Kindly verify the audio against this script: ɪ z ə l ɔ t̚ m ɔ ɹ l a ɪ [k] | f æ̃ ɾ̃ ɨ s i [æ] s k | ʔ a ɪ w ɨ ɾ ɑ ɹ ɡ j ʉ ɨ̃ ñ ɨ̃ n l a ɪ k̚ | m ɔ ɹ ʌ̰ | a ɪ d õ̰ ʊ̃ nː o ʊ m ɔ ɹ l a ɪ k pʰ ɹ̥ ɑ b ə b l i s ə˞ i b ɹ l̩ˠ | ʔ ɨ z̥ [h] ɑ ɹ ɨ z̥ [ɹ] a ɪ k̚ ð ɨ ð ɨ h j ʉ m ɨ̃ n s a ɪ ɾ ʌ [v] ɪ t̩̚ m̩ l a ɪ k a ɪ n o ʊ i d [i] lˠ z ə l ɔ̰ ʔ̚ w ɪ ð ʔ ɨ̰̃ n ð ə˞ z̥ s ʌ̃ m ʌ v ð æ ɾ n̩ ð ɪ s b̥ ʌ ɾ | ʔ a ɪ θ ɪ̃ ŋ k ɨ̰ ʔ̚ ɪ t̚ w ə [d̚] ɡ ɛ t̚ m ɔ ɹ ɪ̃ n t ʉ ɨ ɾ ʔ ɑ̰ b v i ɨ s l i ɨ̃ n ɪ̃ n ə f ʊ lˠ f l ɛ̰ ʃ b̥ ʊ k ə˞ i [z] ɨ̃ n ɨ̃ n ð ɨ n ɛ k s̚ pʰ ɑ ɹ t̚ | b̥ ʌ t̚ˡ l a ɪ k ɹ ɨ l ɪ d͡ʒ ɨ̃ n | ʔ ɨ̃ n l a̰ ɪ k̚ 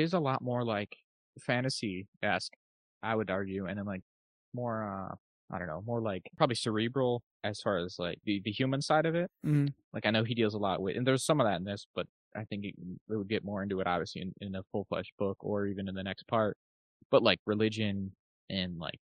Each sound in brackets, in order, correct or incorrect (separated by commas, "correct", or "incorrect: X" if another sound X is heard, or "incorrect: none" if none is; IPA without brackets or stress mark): correct, correct, incorrect: f, incorrect: l, correct, correct, correct, incorrect: v